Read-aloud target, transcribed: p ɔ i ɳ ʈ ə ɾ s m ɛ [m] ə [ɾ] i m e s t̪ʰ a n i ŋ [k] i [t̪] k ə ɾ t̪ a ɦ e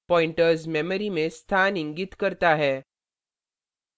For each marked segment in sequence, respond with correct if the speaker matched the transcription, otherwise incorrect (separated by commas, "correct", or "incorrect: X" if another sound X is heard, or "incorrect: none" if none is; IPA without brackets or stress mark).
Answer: correct, correct, incorrect: ɡ, correct